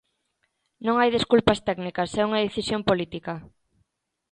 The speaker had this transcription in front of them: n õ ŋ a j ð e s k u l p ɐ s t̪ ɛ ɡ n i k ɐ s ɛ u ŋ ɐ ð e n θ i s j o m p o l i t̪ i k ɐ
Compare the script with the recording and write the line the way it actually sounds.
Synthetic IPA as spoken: n õ ŋ a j ð e s k u l p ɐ s t̪ ɛ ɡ n i k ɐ s ɛ u ŋ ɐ ð e θ i s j o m p o l i t̪ i k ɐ